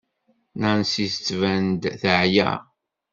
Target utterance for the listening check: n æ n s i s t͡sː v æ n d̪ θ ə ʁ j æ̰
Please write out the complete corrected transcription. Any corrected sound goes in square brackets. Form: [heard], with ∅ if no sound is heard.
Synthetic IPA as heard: n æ n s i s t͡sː v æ n d̪ θ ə [ʕ] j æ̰